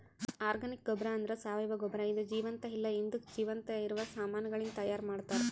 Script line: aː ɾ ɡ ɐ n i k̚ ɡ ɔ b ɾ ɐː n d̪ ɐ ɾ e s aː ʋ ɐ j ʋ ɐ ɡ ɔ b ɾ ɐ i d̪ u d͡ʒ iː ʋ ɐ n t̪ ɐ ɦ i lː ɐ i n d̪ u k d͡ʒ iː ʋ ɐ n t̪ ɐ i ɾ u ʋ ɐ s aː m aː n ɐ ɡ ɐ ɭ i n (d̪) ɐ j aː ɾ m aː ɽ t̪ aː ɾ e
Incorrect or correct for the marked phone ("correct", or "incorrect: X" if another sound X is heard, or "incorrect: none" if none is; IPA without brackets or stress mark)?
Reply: incorrect: t̪